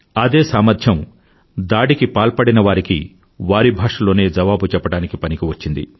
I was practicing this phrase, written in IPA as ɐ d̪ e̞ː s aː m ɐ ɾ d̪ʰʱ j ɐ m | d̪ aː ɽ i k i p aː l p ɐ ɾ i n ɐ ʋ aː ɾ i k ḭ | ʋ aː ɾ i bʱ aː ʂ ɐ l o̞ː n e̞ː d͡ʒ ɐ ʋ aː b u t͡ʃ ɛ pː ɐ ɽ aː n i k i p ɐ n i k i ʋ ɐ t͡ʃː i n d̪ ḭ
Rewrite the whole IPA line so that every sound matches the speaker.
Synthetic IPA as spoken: ɐ d̪ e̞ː s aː m ɐ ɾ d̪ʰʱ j ɐ m | d̪ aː ɽ i k i p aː l p ɐ ɽ i n ɐ ʋ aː ɾ i k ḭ | ʋ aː ɾ i bʱ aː ʂ ɐ l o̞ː n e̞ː d͡ʒ ɐ ʋ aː b u t͡ʃ ɛ pː ɐ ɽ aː n i k i p ɐ n i k i ʋ ɐ t͡ʃː i n d̪ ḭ